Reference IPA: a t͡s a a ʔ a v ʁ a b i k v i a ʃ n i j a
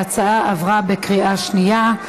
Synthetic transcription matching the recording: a t͡s a a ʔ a v ʁ a b e k ʁ i a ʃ n i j a